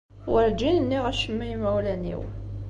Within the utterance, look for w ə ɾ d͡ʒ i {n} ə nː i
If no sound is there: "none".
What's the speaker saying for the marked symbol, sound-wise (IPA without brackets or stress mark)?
n